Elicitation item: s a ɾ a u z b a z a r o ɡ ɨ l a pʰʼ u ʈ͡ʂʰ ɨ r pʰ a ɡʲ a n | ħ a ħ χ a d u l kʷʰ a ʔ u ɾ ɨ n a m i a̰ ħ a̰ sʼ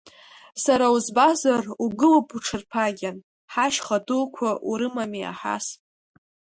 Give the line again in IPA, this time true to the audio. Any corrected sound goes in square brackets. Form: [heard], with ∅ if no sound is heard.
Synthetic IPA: s a ɾ a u z b a z a r [u] ɡ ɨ l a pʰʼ u ʈ͡ʂʰ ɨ r pʰ a ɡʲ a n | ħ a [ʃ] χ a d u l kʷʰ a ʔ u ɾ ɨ [m] a m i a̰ ħ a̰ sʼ